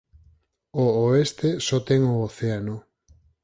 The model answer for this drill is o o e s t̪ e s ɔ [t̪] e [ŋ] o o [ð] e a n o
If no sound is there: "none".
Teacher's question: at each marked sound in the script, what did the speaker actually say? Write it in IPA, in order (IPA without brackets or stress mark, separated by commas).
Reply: t̪, ŋ, θ